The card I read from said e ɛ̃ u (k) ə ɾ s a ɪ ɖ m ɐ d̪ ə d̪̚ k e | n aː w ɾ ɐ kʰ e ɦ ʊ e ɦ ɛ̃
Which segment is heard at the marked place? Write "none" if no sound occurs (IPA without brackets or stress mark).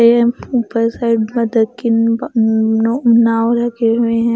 p